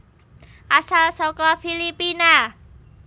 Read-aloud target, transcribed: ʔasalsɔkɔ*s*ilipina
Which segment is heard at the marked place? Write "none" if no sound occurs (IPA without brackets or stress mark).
f